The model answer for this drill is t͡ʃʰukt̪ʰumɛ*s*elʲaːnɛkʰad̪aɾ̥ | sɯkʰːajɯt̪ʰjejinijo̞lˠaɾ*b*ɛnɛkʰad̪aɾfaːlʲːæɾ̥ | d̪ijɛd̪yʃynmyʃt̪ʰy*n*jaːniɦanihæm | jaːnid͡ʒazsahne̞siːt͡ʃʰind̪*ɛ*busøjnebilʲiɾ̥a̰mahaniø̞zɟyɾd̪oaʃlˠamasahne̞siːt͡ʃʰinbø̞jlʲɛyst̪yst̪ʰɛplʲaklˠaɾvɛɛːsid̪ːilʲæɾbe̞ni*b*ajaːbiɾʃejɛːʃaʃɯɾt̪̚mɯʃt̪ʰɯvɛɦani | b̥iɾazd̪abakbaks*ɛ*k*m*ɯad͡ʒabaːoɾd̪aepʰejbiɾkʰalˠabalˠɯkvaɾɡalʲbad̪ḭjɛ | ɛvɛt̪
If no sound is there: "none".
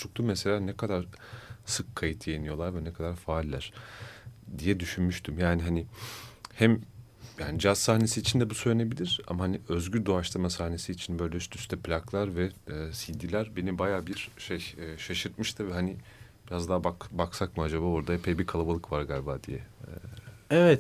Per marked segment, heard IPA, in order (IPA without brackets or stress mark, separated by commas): s, v, m, ɛ, b, a, m